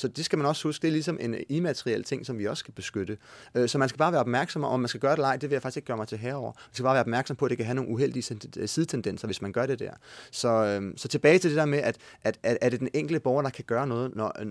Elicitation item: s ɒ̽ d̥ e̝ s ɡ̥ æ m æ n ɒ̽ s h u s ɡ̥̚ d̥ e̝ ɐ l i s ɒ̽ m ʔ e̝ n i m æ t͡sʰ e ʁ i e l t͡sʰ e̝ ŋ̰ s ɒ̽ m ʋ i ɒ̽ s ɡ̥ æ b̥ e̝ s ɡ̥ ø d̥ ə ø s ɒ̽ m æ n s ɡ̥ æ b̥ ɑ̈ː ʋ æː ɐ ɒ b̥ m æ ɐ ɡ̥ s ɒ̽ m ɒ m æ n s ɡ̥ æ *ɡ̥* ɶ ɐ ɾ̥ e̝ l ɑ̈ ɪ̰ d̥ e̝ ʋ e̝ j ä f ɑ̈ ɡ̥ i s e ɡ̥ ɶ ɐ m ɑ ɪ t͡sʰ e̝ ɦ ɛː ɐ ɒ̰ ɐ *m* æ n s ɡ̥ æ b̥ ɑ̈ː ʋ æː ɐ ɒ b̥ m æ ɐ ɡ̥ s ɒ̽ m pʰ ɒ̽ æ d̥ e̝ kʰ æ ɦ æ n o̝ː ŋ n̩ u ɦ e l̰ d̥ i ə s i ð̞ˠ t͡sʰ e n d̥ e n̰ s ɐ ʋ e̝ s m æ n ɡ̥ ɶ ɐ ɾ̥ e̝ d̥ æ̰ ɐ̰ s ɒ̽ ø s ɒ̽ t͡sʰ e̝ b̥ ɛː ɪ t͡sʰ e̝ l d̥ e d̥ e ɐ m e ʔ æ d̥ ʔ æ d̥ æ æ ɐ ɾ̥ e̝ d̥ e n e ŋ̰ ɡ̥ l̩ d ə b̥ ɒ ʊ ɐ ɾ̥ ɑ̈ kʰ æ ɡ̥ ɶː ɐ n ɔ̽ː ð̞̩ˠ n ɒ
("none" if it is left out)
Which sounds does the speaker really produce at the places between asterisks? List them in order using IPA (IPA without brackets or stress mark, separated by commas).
ɡ̥, m